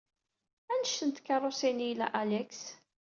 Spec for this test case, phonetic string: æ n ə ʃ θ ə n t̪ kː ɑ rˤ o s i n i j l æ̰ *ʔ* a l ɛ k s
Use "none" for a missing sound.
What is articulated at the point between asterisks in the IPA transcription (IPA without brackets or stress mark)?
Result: ʔ